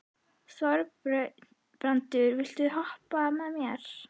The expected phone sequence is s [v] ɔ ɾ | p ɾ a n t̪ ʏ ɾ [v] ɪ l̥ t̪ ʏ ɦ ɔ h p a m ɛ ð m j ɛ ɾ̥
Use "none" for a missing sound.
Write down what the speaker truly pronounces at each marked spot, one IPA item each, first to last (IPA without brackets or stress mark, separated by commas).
v, v